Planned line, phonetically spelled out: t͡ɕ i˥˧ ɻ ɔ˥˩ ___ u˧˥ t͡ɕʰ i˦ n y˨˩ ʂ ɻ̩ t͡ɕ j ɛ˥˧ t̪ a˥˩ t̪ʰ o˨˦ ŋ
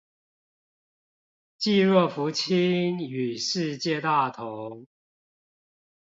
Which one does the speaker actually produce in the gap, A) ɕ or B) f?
B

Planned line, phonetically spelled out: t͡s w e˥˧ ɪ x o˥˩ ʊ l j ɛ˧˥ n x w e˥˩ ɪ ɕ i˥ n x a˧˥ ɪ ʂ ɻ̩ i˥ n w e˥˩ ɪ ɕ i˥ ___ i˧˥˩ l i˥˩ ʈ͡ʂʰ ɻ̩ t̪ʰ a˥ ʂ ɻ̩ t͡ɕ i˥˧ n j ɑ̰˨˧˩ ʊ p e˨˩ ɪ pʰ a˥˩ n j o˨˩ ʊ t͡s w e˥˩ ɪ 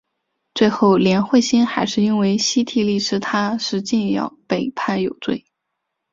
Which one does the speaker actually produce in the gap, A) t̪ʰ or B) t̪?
A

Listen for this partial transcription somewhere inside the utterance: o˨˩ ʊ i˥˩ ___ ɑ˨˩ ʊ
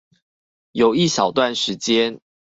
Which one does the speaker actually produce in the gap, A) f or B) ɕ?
B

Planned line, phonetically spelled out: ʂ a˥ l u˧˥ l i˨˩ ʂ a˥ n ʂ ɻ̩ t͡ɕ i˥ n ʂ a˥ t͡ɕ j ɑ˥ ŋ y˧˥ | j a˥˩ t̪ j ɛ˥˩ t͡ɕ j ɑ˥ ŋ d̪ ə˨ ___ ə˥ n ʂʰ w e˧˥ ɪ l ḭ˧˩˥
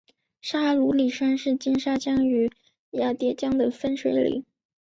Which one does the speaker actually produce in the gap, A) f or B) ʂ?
A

